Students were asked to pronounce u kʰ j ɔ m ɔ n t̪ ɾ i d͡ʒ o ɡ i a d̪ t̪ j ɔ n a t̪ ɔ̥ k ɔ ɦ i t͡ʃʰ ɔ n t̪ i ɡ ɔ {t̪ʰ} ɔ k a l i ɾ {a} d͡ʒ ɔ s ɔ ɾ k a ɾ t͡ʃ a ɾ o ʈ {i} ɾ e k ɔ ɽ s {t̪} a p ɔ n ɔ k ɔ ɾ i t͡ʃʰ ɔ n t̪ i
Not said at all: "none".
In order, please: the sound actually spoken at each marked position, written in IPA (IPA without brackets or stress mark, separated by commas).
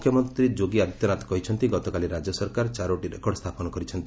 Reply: t̪, a, i, t̪ʰ